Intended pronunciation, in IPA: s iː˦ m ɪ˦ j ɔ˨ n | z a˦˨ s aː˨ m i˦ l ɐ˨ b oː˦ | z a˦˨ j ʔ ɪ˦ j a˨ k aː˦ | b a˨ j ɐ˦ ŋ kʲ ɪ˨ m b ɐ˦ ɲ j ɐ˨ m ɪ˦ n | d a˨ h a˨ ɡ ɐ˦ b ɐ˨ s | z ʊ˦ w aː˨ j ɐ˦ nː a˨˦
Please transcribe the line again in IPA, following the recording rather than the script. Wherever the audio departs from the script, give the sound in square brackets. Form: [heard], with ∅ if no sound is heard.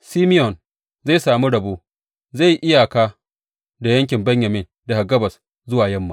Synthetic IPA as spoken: s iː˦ m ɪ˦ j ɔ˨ n | z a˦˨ s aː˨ m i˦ [ɽ] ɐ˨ b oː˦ | z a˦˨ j ʔ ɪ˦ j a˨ k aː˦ | [d] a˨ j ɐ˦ ŋ kʲ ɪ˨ m b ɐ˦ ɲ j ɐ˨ m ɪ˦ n | d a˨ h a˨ ɡ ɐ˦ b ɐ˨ s | z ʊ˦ w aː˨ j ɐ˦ [mː] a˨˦

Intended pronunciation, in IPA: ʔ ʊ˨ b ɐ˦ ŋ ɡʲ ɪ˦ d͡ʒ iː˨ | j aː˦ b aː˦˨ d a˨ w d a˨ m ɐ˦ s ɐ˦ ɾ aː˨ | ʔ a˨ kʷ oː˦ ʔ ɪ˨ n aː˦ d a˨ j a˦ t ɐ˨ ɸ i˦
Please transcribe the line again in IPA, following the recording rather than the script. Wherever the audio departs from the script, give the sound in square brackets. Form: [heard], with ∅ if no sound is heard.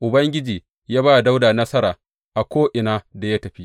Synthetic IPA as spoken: ʔ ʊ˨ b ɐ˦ ŋ ɡʲ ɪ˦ d͡ʒ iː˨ | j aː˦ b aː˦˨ d [a˦] w d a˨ [n] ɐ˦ s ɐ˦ ɾ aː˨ | ʔ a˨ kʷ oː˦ ʔ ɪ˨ n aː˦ d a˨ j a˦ t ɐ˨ ɸ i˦

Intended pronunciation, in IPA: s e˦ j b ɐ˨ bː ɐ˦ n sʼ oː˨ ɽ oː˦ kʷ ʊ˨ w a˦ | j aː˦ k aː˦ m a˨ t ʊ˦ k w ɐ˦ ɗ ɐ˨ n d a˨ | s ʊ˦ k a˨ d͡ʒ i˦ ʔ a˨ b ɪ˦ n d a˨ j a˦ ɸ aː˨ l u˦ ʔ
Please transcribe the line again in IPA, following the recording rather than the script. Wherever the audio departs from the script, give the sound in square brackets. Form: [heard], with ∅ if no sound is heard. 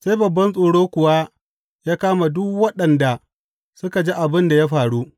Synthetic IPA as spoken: s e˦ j b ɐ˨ bː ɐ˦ n sʼ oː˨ ɽ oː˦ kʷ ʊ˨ w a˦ | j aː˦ k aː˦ m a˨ [d] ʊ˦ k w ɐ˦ ɗ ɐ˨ n d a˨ | s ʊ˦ k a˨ d͡ʒ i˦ ʔ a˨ b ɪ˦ n d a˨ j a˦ ɸ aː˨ [ɽ] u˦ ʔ

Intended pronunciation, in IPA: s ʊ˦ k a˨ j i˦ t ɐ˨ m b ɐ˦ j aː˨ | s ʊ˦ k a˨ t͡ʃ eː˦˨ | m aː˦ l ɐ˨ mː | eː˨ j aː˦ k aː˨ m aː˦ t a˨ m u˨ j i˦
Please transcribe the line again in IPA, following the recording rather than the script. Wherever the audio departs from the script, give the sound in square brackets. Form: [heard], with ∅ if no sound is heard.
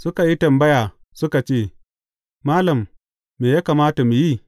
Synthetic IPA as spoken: s ʊ˦ k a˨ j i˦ t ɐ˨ m b ɐ˦ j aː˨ | s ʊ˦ k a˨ t͡ʃ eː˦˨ | m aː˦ l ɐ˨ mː | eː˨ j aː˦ k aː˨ m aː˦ t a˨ m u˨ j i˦

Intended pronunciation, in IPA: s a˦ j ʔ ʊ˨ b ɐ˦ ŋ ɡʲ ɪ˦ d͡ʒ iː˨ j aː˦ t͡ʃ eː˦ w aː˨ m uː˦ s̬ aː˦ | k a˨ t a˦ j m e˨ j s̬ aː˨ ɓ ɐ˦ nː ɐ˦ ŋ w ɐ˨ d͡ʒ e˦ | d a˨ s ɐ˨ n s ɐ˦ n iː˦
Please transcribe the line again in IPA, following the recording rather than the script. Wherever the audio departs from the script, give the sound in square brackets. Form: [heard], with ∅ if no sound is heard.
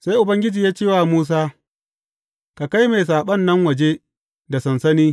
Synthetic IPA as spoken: s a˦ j ʔ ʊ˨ b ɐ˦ ŋ ɡʲ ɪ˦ d͡ʒ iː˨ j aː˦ t͡ʃ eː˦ w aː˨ m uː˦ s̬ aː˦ | k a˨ [k] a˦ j m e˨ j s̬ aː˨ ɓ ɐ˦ nː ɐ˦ ŋ w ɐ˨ d͡ʒ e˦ | d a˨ s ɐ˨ n s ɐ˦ n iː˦

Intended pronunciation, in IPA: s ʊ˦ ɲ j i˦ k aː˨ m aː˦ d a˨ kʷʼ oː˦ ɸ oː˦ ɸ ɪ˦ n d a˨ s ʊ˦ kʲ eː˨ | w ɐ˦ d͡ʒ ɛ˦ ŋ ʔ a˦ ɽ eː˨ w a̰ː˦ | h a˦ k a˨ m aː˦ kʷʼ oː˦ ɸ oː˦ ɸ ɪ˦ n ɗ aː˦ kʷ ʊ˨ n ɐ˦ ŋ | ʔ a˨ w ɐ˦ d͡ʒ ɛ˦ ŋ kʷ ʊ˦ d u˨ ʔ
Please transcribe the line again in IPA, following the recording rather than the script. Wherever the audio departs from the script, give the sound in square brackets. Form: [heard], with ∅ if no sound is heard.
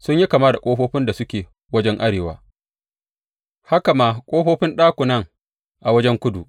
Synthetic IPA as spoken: s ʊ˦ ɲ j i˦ k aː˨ m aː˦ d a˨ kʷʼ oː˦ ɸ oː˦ ɸ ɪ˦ n d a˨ s ʊ˦ kʲ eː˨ | w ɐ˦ d͡ʒ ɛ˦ ŋ ʔ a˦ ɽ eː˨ w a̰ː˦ | h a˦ k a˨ m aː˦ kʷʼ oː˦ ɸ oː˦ ɸ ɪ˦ n ɗ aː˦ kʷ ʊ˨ n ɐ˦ ŋ | ʔ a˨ w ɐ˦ d͡ʒ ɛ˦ ŋ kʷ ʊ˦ d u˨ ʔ

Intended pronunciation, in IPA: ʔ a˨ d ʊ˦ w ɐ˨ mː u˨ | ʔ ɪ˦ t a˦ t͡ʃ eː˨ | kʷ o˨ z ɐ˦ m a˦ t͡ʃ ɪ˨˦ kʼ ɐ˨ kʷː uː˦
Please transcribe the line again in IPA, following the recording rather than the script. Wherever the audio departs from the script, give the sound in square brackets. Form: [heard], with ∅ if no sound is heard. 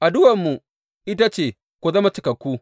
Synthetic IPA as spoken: ʔ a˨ d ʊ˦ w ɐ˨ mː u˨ | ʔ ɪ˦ t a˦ t͡ʃ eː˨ | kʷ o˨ z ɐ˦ m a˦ t͡ʃ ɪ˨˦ [k] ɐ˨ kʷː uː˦

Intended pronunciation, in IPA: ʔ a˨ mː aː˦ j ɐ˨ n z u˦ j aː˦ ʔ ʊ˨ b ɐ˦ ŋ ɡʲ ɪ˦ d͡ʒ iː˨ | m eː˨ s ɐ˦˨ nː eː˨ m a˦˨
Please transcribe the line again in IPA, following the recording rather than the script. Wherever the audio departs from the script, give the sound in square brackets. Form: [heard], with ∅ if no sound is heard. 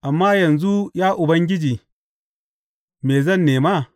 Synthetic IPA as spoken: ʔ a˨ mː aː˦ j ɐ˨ n z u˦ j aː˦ ʔ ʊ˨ b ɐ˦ ŋ ɡʲ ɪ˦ d͡ʒ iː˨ | m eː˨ [z] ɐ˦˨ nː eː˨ m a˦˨

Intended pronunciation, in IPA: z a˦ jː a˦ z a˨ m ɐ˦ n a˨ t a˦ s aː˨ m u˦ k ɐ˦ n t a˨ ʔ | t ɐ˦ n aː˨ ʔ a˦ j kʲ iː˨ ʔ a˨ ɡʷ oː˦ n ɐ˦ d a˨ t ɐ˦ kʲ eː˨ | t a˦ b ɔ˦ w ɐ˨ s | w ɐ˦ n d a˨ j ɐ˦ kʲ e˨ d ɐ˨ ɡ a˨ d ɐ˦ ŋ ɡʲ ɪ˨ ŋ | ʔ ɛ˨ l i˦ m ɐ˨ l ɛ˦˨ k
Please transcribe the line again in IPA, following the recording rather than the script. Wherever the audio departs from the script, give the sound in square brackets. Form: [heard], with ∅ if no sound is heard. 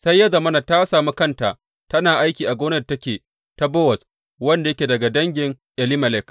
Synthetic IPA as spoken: [s] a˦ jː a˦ z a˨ m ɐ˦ n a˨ t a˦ s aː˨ m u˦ k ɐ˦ n t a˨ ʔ | t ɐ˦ n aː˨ ʔ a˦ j kʲ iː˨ ʔ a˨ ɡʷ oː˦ n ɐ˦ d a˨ t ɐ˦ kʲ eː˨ | t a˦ b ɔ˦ w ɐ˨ s | w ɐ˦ n d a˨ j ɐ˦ kʲ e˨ d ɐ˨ ɡ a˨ d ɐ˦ ŋ ɡʲ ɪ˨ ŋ | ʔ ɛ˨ l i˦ m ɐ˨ l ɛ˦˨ k

